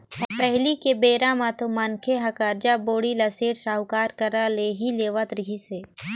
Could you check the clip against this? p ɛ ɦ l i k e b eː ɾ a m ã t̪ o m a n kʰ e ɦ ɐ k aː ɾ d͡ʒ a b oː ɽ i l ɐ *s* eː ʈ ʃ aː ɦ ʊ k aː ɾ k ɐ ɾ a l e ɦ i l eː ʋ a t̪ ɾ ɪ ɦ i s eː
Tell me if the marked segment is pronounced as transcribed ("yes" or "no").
yes